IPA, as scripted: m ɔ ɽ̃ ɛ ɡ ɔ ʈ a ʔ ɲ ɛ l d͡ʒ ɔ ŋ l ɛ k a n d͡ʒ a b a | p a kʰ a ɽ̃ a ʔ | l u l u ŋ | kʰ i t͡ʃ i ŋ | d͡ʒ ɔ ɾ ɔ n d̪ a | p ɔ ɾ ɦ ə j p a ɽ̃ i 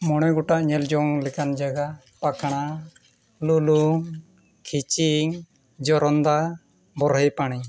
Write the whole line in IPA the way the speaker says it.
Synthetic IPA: m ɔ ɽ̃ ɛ ɡ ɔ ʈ a ʔ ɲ ɛ l d͡ʒ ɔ ŋ l ɛ k a n d͡ʒ a ɡ a | p a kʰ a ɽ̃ a | l u l u ŋ | kʰ i t͡ʃ i ŋ | d͡ʒ ɔ ɾ ɔ n d̪ a | b ɔ ɾ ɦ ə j p a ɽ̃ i

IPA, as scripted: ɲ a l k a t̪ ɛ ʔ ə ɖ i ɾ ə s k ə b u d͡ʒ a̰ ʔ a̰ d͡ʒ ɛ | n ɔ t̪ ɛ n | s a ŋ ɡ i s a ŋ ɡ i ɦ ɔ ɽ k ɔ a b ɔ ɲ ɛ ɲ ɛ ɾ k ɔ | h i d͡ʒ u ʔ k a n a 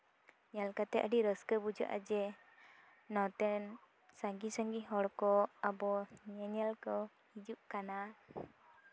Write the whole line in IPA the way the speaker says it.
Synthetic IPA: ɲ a l k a t̪ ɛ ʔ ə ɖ i ɾ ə s k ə b u d͡ʒ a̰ ʔ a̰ d͡ʒ ɛ | n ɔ t̪ ɛ n | s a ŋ ɡ i s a ŋ ɡ i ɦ ɔ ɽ k ɔ a b ɔ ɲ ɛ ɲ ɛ l k ɔ | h i d͡ʒ u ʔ k a n a

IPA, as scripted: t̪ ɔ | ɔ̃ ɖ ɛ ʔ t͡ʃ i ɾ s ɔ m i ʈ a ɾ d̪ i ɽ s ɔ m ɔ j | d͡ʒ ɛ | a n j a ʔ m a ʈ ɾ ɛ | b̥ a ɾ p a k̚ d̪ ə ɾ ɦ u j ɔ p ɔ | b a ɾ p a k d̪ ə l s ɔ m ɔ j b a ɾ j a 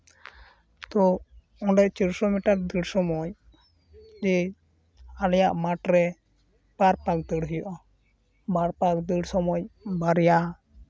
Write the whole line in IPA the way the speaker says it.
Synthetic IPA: t̪ ɔ | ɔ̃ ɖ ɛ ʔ t͡ʃ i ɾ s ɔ m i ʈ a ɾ d̪ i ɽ s ɔ m ɔ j | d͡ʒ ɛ | a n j a ʔ m a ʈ ɾ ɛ | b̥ a ɾ p a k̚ d̪ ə ɽ ɦ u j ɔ ʔ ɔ | b a ɾ p a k d̪ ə ɽ s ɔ m ɔ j b a ɾ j a

